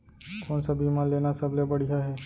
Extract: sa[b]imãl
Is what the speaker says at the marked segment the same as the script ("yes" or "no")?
yes